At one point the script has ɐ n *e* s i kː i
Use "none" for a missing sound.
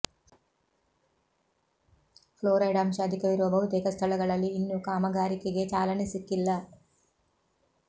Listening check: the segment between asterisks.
i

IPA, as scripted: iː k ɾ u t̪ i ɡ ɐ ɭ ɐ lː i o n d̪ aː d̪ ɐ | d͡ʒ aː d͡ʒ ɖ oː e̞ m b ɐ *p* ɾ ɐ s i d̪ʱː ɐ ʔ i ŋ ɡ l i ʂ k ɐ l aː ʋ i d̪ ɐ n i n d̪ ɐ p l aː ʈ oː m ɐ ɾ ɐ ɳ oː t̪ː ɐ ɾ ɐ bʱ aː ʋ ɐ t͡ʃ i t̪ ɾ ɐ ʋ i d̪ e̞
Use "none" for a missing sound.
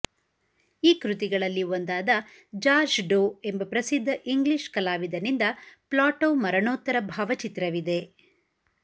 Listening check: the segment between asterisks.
p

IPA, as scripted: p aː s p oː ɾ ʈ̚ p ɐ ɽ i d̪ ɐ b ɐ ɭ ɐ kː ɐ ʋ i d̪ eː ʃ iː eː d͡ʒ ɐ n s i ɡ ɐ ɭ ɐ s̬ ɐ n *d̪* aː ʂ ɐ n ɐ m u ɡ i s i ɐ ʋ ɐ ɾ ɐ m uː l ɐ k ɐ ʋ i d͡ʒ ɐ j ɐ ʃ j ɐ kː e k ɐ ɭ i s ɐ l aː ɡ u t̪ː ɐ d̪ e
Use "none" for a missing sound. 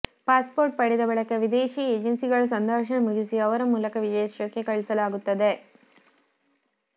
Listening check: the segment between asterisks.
d̪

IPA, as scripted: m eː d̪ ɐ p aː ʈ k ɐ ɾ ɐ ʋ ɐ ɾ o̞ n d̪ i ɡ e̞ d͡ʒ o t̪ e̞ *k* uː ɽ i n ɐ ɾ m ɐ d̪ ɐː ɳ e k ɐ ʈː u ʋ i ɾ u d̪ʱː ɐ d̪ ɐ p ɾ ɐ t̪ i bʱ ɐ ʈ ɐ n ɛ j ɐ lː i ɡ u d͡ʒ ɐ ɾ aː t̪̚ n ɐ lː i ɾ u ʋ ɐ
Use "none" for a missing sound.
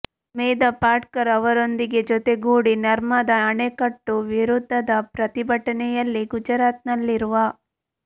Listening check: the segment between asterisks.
ɡ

